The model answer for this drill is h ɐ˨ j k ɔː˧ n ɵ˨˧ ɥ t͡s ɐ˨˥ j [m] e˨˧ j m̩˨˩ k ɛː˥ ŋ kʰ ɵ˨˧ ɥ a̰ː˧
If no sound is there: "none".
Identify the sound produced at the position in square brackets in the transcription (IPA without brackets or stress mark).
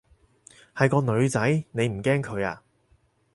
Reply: n